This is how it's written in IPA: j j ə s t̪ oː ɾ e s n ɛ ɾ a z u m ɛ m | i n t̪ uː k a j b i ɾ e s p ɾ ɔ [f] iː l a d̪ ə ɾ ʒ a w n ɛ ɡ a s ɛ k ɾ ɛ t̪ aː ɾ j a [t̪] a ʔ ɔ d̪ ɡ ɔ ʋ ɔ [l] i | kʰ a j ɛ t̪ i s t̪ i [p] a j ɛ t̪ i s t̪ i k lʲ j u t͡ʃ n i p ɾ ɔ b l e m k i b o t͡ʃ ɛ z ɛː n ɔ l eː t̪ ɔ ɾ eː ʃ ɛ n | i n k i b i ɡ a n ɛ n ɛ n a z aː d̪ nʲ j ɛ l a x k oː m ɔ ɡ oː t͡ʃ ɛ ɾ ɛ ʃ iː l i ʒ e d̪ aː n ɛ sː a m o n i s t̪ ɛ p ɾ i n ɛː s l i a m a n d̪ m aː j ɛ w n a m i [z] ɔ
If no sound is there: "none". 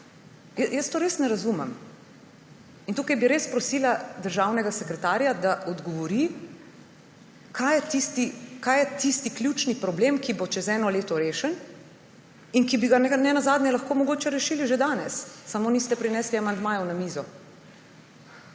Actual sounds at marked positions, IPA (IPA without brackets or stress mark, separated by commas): s, d̪, ɾ, k, z